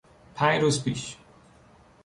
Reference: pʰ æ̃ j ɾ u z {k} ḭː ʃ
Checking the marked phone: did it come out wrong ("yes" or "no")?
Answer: yes